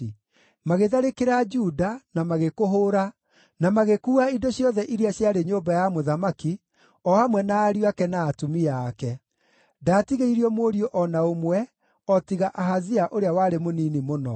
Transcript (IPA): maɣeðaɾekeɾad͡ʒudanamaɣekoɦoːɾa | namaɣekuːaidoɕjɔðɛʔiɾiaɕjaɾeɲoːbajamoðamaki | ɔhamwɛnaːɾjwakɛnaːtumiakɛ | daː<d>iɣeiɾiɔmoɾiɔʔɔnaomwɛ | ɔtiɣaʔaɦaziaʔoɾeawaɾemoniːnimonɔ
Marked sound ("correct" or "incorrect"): incorrect